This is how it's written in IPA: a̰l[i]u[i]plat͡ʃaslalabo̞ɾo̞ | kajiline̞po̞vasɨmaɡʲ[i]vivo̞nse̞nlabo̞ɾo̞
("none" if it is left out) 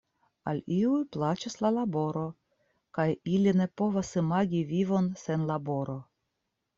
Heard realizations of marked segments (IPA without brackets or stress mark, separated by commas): i, j, i